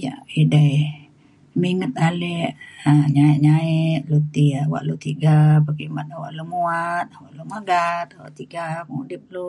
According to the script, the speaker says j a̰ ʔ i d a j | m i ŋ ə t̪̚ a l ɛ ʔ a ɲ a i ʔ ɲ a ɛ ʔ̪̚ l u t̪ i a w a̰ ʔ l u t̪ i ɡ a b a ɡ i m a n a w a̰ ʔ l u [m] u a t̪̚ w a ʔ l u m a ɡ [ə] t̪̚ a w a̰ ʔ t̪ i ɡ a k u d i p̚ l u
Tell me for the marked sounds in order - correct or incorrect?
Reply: correct, incorrect

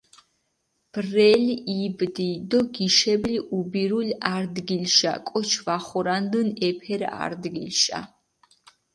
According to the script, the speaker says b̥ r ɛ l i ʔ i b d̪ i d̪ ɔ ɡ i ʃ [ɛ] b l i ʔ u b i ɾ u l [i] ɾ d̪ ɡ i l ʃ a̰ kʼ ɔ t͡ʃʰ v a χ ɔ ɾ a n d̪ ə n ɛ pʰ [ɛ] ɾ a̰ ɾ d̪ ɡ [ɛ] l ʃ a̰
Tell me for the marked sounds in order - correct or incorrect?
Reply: correct, incorrect, correct, incorrect

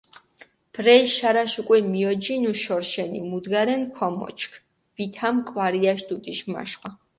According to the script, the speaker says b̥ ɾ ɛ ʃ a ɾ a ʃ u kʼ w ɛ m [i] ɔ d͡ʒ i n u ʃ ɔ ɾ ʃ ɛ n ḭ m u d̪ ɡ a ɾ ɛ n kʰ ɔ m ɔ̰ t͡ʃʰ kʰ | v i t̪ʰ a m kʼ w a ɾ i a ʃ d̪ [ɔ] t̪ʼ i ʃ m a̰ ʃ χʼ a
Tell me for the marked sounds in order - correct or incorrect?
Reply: correct, incorrect

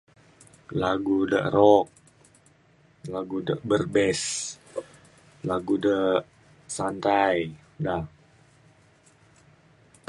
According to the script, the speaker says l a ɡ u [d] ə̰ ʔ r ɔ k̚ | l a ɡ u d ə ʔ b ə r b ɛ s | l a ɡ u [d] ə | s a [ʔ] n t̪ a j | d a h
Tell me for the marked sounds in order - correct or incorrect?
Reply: correct, correct, incorrect

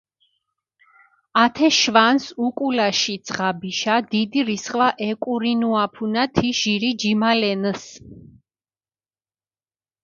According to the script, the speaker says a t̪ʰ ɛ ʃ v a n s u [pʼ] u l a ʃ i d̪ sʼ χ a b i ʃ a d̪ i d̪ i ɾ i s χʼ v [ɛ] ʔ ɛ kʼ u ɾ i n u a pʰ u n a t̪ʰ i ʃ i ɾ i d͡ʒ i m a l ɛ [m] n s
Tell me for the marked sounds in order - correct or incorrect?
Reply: incorrect, incorrect, incorrect

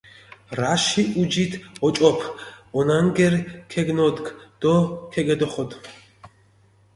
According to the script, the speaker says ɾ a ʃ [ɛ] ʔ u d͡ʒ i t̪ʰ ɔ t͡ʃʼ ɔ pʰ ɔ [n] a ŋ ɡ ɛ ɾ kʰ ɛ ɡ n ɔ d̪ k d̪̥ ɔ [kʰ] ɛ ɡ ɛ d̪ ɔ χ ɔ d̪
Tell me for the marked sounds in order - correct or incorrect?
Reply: incorrect, correct, correct

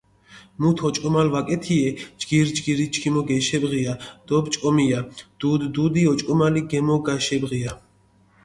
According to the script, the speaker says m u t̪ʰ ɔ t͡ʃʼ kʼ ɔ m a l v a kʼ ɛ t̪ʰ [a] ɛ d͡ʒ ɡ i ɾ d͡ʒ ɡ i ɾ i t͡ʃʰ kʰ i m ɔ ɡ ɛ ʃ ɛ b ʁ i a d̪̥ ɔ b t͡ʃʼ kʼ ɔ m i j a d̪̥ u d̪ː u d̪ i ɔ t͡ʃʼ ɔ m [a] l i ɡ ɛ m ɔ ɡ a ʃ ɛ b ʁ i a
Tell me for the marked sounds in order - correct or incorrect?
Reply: incorrect, correct

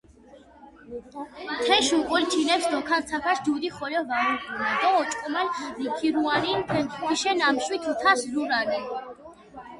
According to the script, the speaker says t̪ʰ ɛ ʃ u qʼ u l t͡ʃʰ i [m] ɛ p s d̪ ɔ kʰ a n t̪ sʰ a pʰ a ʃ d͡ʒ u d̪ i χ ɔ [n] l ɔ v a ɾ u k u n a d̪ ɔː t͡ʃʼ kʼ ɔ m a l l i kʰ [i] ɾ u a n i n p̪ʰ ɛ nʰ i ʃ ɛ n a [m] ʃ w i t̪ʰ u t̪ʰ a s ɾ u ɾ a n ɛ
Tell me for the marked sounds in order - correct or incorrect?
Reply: incorrect, incorrect, correct, correct

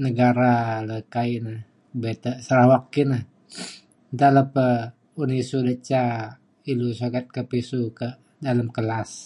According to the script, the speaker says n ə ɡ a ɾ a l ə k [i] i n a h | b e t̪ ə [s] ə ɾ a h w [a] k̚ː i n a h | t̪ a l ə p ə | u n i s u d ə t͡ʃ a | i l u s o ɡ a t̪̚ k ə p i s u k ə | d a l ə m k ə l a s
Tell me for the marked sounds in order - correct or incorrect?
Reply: incorrect, correct, correct

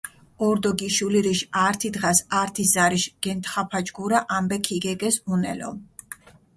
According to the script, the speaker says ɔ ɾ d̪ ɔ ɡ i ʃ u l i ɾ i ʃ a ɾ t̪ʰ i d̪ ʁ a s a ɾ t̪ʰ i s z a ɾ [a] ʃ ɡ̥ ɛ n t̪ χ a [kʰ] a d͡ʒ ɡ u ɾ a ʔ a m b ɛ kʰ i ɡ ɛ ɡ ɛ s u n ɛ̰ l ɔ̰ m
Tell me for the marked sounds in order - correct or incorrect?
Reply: incorrect, incorrect

